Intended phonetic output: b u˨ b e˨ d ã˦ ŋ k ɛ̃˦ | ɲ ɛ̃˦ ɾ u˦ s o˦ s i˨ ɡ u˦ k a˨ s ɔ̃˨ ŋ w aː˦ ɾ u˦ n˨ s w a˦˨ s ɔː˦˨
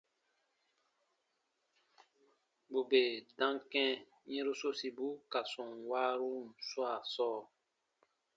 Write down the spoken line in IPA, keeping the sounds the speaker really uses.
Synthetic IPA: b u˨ b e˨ d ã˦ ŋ k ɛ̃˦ | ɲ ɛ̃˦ ɾ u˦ s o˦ s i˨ b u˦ k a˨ s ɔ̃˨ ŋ w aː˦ ɾ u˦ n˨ s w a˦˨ s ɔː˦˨